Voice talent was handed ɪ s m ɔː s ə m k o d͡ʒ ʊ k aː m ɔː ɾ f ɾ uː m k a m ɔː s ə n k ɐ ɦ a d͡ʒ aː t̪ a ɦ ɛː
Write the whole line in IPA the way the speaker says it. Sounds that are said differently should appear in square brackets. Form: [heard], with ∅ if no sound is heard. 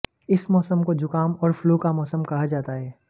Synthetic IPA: ɪ s m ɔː s ə m k o d͡ʒ ʊ k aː m ɔː ɾ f [l] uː [∅] k a m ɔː s ə [m] k ɐ ɦ a d͡ʒ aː t̪ a ɦ ɛː